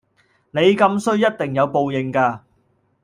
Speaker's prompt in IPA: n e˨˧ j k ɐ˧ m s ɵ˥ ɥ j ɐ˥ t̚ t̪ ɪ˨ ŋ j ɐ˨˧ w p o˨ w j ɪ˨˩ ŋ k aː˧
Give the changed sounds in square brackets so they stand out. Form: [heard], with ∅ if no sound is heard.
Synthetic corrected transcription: n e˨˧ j k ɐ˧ m s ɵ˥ ɥ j ɐ˥ t̚ t̪ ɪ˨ ŋ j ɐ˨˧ w p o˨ w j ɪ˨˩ ŋ k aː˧